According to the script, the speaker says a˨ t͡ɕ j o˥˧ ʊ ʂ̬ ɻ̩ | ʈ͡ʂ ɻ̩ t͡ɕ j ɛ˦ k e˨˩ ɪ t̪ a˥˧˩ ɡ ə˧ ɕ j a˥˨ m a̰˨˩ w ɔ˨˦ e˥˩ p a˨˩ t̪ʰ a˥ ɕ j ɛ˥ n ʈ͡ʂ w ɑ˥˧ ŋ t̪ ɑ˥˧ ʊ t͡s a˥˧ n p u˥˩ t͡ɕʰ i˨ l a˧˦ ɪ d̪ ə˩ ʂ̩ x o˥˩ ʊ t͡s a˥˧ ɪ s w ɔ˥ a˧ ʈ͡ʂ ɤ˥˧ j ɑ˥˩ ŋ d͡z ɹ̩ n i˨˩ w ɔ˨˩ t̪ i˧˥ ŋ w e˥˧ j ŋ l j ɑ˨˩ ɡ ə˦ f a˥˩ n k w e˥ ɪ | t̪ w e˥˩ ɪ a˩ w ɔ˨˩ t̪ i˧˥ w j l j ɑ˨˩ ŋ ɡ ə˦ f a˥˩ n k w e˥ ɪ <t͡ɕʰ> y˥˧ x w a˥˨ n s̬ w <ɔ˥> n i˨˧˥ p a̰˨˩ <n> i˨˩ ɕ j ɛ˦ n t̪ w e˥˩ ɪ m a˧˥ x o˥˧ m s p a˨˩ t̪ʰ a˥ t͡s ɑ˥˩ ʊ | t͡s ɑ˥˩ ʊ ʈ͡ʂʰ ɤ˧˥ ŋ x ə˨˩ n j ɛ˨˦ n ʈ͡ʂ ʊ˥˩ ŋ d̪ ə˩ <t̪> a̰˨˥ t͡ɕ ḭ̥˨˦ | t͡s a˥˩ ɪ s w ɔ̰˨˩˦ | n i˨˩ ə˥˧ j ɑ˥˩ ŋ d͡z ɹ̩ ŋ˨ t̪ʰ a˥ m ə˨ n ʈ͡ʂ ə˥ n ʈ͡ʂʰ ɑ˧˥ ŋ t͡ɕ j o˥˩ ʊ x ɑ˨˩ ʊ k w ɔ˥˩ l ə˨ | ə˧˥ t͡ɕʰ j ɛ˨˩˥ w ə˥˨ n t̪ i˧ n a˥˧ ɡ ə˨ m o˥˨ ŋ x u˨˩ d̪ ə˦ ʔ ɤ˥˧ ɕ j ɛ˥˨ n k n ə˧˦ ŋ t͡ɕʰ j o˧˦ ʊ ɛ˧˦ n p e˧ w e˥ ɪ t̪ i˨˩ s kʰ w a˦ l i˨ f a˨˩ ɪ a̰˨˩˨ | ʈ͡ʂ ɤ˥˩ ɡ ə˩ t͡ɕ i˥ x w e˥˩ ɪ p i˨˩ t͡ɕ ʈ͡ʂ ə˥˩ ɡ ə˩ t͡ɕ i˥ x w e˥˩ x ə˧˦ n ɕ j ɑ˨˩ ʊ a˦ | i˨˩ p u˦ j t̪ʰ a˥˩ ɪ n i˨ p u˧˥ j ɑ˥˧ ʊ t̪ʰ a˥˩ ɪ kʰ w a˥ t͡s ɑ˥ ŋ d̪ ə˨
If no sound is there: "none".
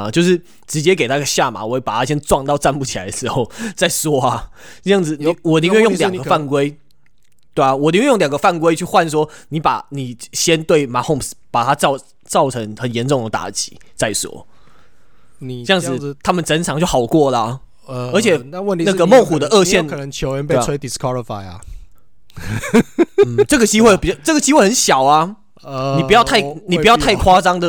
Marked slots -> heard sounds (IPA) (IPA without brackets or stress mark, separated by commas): t͡ɕʰ, ɔ˥, n, t̪